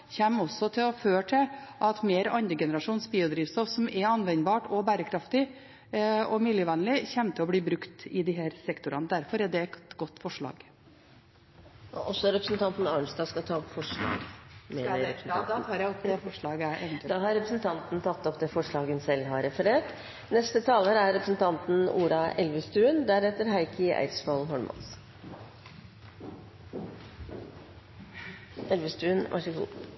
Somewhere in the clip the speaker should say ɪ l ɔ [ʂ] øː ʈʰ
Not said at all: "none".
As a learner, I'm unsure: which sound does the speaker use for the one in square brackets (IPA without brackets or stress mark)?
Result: f